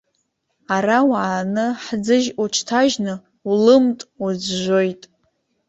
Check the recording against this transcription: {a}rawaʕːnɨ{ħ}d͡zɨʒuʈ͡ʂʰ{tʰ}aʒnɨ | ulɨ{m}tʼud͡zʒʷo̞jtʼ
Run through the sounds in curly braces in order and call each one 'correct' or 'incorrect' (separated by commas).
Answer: correct, correct, correct, correct